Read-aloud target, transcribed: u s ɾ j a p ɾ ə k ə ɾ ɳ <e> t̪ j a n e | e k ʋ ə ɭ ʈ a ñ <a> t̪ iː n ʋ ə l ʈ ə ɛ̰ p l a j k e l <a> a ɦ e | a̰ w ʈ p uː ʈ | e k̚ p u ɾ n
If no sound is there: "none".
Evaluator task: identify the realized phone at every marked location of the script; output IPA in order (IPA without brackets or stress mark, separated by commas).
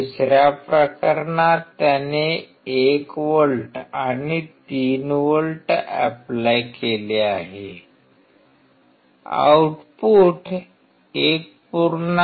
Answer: a, i, e